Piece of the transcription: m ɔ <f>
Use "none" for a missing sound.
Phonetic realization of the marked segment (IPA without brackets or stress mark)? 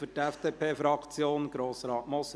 s